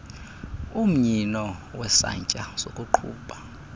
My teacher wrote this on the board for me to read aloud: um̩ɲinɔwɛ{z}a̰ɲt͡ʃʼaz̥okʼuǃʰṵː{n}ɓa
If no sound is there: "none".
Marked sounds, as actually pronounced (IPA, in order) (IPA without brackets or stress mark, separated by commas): s, none